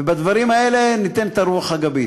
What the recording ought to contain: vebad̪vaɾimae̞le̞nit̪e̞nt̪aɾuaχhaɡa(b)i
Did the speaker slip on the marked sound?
no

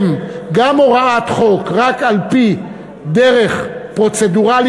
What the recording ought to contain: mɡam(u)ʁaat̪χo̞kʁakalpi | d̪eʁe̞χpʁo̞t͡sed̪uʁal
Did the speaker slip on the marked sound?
yes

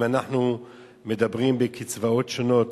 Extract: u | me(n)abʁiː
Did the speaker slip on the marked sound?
yes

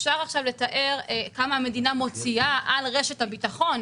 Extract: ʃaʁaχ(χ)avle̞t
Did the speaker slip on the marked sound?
yes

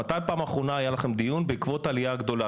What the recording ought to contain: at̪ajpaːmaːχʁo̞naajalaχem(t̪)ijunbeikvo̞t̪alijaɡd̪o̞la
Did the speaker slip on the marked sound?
yes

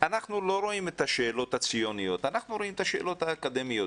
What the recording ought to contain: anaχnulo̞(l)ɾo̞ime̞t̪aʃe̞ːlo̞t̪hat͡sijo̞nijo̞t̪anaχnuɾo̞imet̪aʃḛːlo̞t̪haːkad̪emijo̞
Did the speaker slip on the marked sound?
yes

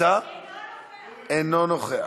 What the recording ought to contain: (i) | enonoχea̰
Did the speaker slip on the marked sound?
yes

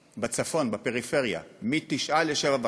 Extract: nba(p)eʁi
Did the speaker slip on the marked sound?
no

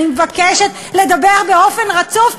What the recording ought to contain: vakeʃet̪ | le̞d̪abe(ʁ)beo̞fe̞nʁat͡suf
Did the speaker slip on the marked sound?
no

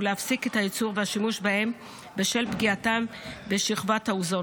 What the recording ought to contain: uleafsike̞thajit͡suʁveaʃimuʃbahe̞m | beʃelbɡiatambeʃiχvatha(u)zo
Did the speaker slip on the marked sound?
no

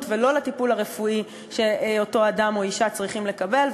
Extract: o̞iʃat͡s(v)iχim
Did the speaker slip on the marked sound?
yes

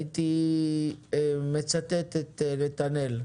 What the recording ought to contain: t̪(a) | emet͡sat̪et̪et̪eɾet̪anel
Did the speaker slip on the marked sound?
yes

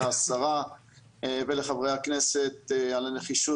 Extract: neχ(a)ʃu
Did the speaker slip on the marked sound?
yes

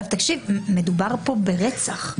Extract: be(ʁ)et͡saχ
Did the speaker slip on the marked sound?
no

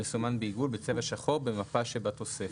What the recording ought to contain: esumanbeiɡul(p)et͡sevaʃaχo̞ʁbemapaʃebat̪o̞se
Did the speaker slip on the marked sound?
yes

